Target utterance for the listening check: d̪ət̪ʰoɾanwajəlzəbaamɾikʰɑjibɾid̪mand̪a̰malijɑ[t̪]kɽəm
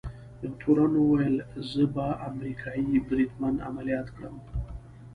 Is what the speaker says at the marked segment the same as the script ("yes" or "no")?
yes